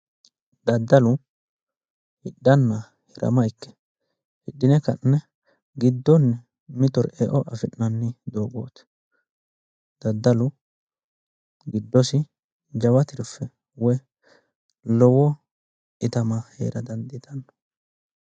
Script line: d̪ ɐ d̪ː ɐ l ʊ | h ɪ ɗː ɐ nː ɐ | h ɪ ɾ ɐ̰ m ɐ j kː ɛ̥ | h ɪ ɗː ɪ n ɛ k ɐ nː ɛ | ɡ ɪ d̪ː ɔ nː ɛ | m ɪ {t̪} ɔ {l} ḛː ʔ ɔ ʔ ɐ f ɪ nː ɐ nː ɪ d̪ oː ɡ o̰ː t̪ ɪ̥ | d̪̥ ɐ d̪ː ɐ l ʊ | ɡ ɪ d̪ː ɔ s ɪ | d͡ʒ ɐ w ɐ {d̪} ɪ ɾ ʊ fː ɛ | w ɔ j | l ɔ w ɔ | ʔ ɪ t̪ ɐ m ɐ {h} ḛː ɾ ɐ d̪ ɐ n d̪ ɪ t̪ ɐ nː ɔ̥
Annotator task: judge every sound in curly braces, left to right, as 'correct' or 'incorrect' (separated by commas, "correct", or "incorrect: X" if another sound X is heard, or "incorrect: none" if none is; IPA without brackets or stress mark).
correct, incorrect: ɾ, incorrect: t̪, correct